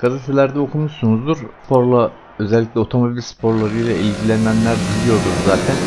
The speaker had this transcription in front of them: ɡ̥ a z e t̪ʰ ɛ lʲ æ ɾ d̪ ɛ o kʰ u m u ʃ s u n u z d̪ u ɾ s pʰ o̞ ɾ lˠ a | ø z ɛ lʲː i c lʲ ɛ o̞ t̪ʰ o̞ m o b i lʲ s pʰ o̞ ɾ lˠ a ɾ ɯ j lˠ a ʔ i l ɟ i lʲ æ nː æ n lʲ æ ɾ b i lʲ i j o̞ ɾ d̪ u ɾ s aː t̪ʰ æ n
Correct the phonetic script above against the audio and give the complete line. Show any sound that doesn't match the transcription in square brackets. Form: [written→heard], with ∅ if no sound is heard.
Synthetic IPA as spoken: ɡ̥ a z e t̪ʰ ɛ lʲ æ ɾ d̪ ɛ o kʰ u m u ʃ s u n u z d̪ u ɾ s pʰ o̞ ɾ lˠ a | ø z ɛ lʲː i c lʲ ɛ o̞ t̪ʰ o̞ m o b i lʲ s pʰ o̞ ɾ lˠ a ɾ ɯ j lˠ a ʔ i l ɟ i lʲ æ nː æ n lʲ æ ɾ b i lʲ i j o̞ ɾ d̪ u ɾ [s→z] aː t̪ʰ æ n